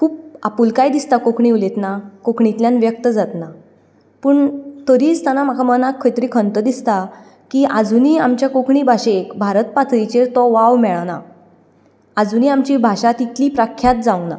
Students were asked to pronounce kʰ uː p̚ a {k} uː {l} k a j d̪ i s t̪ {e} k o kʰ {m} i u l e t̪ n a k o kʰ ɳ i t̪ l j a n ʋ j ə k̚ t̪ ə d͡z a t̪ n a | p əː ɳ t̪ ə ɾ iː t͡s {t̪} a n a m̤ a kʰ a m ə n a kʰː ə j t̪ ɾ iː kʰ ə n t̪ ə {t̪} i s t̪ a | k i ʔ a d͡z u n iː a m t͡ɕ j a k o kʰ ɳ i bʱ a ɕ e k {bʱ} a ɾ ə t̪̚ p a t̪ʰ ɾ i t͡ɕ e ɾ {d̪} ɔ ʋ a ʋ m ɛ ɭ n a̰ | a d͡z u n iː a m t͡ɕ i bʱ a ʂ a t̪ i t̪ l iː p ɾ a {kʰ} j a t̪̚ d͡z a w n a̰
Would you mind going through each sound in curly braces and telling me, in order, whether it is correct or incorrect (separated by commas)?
incorrect, correct, incorrect, incorrect, correct, incorrect, correct, incorrect, correct